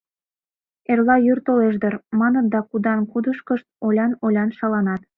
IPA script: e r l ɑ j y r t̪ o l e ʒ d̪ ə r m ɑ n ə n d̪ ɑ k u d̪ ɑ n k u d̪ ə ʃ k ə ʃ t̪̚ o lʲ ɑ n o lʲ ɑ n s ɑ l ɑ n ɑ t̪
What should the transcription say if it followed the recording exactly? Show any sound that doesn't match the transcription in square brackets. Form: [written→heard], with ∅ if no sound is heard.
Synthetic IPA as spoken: e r l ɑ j y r t̪ o l e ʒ d̪ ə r m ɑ n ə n d̪ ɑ k u d̪ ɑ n k u d̪ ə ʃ k ə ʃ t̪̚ o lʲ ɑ n o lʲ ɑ n [s→ʃ] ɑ l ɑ n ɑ t̪